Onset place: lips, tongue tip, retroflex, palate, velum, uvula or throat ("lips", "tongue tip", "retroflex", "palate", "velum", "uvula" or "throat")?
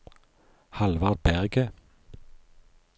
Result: throat